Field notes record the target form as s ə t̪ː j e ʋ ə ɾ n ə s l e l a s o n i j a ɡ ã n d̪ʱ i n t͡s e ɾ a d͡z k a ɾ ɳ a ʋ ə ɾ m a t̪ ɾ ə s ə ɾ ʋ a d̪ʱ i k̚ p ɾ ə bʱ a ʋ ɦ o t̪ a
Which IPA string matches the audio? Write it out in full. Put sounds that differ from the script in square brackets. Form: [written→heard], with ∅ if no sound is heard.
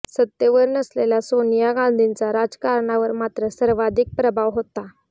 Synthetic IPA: s ə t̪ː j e ʋ ə ɾ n ə s l e l a s o n i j a ɡ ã n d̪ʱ i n t͡s [e→a] ɾ a d͡z k a ɾ ɳ a ʋ ə ɾ m a t̪ ɾ ə s ə ɾ ʋ a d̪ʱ i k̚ p ɾ ə bʱ a ʋ ɦ o t̪ a